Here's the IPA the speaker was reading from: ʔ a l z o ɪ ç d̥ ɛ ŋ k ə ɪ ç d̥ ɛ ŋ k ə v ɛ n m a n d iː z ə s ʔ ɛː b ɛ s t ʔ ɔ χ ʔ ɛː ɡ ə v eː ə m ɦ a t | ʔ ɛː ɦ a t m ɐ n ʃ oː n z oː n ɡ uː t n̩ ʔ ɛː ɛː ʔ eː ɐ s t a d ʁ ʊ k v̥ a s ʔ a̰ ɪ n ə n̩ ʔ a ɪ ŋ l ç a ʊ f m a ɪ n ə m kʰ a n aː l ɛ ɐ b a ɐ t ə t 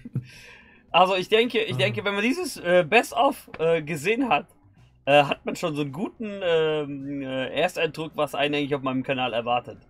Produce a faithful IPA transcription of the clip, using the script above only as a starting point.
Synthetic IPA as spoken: ʔ a l z o ɪ ç d̥ ɛ ŋ k ə ɪ ç d̥ ɛ ŋ k ə v ɛ n m a n d iː z ə s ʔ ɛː b ɛ s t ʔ ɔ f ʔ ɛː ɡ ə z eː ə n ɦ a t | ʔ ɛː ɦ a t m a n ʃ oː n z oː n ɡ uː t n̩ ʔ ɛː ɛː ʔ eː ɐ s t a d ʁ ʊ k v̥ a s ʔ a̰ ɪ n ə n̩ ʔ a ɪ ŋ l ç a ʊ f m a ɪ n ə m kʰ a n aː l ɛ ɐ v a ɐ t ə t